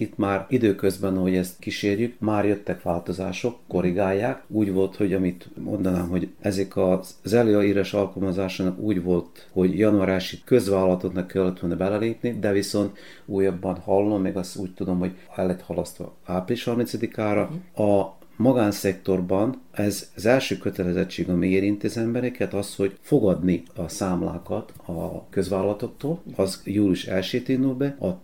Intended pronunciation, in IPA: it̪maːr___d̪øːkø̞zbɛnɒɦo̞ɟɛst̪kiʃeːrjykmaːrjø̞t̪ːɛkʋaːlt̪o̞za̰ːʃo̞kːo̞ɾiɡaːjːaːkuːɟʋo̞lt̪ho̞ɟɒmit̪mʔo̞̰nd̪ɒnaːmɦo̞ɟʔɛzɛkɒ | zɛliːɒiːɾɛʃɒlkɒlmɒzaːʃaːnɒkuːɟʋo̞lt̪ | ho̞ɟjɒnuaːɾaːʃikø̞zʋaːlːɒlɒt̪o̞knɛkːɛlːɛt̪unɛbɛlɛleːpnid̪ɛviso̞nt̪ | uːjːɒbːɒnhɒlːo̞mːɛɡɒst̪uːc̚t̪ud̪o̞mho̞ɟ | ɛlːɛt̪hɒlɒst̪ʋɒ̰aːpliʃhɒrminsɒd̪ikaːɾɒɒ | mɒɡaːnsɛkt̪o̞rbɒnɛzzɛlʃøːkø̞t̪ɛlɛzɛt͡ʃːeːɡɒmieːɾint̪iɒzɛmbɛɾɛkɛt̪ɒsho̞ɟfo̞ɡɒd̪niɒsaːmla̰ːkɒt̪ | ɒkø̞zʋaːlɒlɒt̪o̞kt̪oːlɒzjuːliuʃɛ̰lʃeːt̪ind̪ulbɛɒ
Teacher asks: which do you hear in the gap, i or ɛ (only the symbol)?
i